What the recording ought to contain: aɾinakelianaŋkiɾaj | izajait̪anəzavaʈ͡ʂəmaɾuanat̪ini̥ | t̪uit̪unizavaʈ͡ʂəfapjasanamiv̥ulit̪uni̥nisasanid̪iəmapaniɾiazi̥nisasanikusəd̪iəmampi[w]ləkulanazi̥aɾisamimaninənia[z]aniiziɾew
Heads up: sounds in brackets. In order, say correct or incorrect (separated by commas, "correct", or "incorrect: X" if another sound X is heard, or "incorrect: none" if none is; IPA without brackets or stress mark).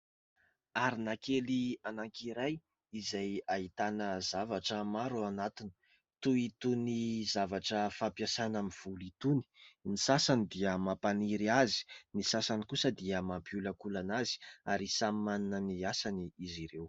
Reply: incorrect: u, incorrect: s